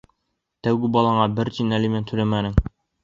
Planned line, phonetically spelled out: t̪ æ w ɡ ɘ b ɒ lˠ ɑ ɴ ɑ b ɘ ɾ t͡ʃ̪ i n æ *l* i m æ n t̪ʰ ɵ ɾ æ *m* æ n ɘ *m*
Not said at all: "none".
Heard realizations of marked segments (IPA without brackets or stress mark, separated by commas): l, m, ŋ